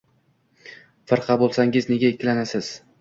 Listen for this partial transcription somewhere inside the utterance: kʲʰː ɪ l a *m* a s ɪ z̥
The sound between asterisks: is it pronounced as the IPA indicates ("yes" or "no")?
no